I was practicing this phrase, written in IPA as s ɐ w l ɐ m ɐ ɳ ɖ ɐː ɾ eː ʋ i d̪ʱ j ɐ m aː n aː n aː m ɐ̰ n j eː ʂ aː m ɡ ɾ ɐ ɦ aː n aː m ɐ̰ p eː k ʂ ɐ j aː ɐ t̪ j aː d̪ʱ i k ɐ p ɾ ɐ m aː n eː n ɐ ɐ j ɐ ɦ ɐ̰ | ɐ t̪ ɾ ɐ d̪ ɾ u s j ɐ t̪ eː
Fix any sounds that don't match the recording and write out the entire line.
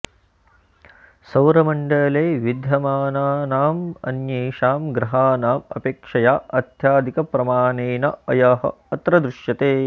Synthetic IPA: s ɐ w ɾ ɐ m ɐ ɳ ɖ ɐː l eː ʋ i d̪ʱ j ɐ m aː n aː n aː m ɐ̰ n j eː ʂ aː m ɡ ɾ ɐ ɦ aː n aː m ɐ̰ p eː k ʂ ɐ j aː ɐ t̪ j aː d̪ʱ i k ɐ p ɾ ɐ m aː n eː n ɐ ɐ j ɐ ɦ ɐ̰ | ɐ t̪ ɾ ɐ d̪ ɾ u ʃ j ɐ t̪ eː